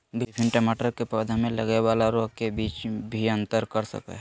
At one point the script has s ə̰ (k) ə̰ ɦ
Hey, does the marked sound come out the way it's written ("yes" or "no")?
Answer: yes